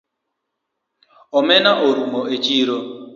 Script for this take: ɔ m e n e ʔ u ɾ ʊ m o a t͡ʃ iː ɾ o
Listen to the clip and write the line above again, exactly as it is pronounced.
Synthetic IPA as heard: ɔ m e n a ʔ o ɾ u m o e t͡ʃ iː ɾ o